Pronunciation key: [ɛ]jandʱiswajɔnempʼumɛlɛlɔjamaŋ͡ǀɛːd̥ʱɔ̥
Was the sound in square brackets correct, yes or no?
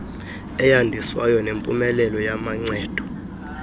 yes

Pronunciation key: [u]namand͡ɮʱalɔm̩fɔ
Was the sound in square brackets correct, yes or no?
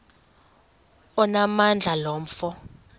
no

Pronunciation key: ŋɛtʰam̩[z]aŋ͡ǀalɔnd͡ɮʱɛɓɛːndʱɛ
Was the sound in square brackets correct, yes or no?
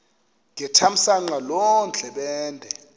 no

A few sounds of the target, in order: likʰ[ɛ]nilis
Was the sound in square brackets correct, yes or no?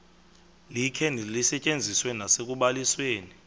yes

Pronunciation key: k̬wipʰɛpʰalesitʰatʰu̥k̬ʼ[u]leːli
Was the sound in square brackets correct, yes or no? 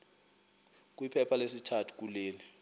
yes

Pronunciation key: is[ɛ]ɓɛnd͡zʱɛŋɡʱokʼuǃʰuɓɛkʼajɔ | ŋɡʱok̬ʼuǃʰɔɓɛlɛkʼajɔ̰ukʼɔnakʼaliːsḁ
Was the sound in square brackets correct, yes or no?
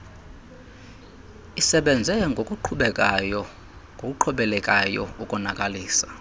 yes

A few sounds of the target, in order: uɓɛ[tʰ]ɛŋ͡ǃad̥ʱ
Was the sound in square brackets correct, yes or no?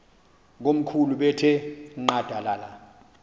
yes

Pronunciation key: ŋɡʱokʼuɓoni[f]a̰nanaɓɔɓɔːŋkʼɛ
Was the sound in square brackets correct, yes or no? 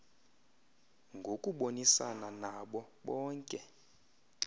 no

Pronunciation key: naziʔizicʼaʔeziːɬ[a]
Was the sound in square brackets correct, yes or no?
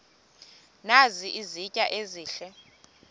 no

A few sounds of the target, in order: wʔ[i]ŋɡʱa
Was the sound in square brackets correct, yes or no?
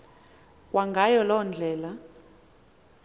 no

